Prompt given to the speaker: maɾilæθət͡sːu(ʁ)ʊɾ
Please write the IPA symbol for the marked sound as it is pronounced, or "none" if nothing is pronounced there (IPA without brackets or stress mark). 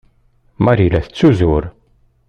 z